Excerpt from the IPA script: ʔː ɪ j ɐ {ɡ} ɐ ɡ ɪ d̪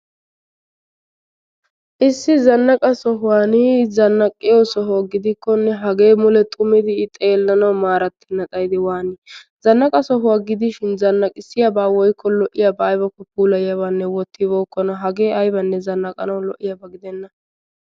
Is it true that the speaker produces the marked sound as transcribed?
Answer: no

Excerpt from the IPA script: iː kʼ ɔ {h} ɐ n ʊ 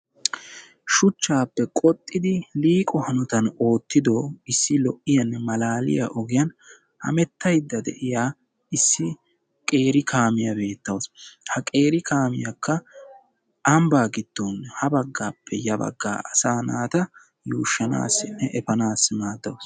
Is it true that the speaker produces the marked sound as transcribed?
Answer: yes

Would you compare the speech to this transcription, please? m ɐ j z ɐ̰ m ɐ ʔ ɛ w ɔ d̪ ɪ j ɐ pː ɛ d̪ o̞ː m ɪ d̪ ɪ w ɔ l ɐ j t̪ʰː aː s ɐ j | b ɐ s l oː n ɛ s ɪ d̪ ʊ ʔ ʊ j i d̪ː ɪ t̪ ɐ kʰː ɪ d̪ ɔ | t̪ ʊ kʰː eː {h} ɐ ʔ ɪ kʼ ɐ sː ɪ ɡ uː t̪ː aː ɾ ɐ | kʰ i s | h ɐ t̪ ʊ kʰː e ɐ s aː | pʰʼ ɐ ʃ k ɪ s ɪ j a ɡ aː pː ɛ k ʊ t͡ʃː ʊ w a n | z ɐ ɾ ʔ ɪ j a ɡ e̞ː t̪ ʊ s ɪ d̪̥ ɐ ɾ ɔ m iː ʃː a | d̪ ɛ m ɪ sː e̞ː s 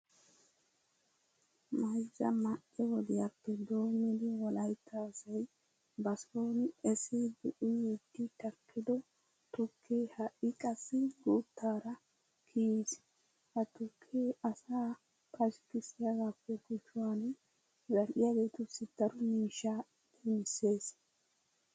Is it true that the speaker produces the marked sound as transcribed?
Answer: yes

